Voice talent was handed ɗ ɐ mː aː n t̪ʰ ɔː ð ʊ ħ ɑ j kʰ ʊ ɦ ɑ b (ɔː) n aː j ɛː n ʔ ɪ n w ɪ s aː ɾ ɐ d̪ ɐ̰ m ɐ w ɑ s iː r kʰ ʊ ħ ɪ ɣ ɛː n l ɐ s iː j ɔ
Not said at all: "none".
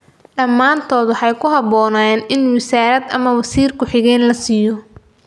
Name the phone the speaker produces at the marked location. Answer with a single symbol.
ɔː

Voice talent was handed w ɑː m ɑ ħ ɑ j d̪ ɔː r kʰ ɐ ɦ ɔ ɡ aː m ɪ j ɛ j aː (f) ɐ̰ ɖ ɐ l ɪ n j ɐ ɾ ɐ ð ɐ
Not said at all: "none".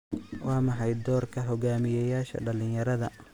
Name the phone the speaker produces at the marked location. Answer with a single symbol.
ʃ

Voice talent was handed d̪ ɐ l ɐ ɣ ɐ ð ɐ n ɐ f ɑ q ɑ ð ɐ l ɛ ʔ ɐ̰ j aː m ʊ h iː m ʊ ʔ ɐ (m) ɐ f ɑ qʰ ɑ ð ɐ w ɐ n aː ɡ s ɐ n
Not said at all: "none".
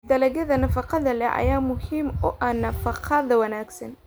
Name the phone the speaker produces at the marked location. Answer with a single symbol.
n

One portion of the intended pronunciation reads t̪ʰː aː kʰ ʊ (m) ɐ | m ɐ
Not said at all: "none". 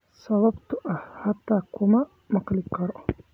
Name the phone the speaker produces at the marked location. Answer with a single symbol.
m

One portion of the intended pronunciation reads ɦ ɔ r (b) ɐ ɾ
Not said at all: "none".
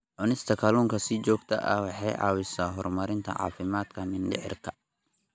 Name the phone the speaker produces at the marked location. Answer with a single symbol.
m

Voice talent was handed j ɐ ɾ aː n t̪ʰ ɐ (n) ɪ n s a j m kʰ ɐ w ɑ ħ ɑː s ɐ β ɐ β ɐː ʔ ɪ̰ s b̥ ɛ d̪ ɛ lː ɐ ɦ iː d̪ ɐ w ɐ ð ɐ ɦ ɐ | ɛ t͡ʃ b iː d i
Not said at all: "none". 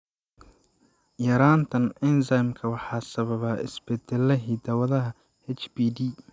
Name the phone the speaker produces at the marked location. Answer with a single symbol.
n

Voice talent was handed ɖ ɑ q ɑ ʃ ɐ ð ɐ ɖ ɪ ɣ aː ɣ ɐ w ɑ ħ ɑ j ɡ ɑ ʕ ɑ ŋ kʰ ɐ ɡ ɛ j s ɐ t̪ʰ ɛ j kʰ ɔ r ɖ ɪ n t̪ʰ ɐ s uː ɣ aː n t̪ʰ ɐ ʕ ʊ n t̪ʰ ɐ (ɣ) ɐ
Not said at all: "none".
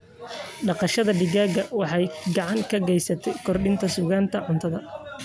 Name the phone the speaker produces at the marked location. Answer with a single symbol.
ð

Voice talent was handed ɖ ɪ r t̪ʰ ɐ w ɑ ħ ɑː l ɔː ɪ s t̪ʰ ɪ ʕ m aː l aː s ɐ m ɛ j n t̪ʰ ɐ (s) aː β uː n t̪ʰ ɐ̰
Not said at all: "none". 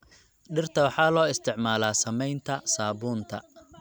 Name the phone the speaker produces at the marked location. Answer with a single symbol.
s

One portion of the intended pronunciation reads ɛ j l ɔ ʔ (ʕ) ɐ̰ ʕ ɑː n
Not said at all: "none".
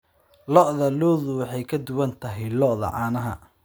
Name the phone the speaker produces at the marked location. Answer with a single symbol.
ð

